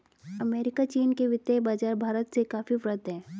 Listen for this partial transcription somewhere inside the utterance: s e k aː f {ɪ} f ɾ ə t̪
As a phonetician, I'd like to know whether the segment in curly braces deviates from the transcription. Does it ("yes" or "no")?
yes